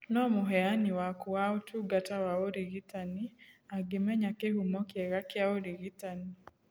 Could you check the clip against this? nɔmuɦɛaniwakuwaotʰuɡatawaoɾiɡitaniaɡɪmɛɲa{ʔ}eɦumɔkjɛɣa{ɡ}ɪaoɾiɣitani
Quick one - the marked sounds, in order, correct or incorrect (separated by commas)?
incorrect, incorrect